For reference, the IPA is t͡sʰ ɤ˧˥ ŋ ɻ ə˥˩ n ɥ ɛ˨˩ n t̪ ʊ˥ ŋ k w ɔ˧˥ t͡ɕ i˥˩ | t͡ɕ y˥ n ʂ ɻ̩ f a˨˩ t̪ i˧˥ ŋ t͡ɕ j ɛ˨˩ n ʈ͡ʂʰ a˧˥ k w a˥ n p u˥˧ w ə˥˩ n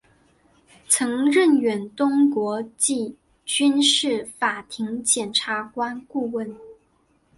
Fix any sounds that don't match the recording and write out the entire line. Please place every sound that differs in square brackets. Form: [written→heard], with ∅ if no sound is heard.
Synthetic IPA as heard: t͡sʰ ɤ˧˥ ŋ ɻ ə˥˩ n ɥ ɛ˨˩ n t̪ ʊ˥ ŋ k w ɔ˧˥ t͡ɕ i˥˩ | t͡ɕ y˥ n ʂ ɻ̩ f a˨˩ [t̪→t̪ʰ] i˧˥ ŋ t͡ɕ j ɛ˨˩ n ʈ͡ʂʰ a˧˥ k w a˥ n [p→k] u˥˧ w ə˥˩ n